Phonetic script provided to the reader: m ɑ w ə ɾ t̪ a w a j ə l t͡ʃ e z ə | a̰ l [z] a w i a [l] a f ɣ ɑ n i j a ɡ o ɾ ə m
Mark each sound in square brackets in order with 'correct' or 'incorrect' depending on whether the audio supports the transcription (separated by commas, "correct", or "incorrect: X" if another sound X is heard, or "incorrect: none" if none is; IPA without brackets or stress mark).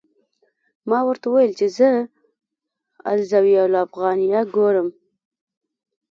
correct, correct